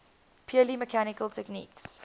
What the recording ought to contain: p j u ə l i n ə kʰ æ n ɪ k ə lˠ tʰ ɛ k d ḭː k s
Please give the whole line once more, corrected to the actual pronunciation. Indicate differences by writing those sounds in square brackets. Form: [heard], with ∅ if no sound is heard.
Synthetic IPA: [pʰ] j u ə l i [m] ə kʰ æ n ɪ k ə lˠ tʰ ɛ k [n] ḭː k s